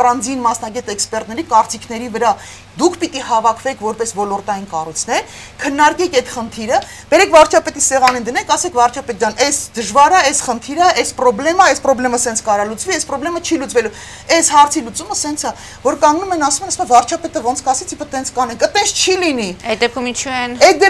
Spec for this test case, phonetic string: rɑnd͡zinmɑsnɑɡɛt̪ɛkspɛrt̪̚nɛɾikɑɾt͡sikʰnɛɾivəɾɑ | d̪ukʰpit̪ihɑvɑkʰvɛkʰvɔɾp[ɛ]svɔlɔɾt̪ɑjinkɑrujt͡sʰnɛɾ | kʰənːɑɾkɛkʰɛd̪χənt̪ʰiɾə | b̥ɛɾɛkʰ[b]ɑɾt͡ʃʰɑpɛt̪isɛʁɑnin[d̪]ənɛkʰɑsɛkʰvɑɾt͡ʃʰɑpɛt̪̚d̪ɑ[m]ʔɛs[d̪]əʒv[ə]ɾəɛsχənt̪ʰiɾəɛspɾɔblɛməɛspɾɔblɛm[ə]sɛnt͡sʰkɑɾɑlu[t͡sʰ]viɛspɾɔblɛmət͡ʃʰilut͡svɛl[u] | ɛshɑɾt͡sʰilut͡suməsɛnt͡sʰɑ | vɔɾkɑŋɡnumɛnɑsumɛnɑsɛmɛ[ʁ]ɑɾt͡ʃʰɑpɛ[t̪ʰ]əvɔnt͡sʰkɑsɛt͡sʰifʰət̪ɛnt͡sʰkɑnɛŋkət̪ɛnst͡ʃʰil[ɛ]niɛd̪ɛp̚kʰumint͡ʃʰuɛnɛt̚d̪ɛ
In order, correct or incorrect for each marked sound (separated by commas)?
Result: correct, incorrect, correct, incorrect, correct, incorrect, correct, incorrect, correct, incorrect, incorrect, incorrect